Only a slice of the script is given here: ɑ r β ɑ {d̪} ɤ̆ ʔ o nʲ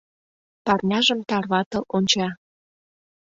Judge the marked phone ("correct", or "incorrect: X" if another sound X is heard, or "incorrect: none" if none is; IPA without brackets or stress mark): incorrect: t̪